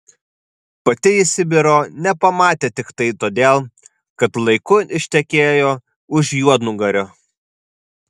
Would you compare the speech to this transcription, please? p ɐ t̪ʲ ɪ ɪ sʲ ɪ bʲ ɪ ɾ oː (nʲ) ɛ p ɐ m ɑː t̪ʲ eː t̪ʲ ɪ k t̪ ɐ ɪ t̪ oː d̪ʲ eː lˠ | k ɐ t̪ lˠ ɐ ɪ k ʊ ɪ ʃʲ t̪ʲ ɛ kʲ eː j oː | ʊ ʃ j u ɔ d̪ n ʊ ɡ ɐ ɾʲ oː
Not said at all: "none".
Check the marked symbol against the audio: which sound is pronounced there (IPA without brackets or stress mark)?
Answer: nʲ